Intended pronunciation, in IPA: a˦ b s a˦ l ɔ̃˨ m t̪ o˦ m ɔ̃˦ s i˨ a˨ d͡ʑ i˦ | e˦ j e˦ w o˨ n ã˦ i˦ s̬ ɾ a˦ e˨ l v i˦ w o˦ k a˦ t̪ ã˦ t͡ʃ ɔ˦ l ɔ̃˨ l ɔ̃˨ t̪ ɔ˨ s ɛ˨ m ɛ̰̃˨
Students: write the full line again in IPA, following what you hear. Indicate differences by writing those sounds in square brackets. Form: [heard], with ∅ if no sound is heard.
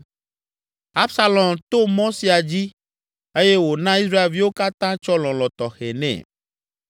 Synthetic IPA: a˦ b s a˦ l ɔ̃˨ m t̪ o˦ m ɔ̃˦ s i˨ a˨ d͡ʑ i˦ | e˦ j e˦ w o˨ n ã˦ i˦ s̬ ɾ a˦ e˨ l v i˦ w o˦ k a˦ t̪ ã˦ t͡ʃ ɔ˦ l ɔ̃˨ l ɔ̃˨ t̪ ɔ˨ [x] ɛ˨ [n] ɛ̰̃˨

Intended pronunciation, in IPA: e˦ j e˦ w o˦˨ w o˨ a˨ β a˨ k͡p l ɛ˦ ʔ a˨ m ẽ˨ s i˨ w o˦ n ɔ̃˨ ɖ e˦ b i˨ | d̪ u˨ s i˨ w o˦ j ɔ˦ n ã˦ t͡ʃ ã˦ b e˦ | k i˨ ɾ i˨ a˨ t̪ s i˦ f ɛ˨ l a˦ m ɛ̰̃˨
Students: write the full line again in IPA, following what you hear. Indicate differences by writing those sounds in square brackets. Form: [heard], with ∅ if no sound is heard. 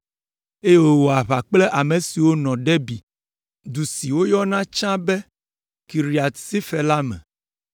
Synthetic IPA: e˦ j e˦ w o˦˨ w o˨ a˨ β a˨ k͡p l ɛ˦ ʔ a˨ m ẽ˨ s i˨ w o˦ n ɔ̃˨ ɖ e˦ b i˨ | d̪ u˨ s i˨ w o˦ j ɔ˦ n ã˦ t͡ʃ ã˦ b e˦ | k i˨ ɾ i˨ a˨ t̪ s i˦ f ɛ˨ l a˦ m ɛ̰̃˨

